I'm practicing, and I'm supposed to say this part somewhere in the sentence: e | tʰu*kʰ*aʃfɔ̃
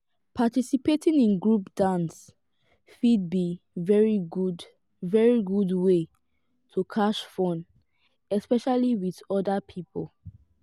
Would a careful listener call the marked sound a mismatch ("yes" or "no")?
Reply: no